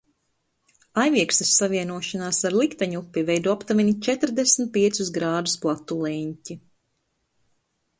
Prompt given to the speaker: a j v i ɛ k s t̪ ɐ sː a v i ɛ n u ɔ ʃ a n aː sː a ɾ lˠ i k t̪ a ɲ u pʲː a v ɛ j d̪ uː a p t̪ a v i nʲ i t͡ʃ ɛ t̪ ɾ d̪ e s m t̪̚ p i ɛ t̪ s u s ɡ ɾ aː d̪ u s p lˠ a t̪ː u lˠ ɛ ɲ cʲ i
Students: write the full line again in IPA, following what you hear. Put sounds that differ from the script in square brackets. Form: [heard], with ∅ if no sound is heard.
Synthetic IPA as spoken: a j v i ɛ k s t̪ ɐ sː a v i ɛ n u ɔ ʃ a n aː [s] a ɾ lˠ i k t̪ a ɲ u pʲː [i] v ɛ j d̪ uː a p t̪ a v i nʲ i t͡ʃ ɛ t̪ ɾ d̪ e s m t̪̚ p i ɛ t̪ s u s ɡ ɾ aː d̪ u s p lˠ a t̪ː u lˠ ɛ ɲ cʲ i